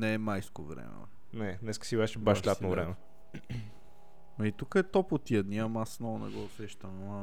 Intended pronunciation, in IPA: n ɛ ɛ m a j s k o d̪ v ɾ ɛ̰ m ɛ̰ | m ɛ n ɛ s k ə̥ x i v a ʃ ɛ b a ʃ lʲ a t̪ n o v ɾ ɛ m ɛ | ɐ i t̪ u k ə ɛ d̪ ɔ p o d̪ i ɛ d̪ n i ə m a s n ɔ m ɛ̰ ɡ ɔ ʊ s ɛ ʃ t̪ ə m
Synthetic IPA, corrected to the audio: n ɛ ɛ m a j s k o v ɾ ɛ̰ m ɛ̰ | n ɛ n ɛ s k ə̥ s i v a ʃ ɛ b a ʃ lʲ a t̪ n o v ɾ ɛ m ɛ | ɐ i t̪ u k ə ɛ t̪ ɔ p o t̪ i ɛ d̪ n i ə m a s n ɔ n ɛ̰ ɡ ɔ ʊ s ɛ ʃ t̪ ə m